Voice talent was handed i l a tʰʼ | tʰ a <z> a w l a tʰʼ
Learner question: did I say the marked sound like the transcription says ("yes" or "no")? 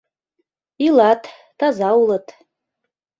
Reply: yes